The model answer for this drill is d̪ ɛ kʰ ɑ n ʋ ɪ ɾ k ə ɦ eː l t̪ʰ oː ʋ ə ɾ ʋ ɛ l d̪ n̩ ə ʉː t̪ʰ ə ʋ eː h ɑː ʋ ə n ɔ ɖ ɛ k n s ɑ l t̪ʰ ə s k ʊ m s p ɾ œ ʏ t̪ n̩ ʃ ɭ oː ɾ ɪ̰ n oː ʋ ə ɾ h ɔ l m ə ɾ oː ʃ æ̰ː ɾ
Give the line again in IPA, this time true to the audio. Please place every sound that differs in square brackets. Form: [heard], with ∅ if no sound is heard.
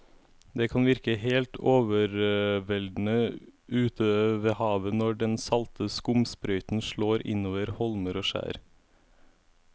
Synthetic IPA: d̪ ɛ kʰ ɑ n ʋ ɪ ɾ k ə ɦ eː l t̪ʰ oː ʋ ə ɾ ʋ ɛ l d̪ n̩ ə ʉː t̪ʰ ə ʋ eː h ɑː ʋ ə n ɔ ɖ ɛ [∅] n s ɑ l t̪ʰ ə s k ʊ m s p ɾ œ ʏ t̪ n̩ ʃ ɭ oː ɾ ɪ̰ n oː ʋ ə ɾ h ɔ l m ə ɾ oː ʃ æ̰ː ɾ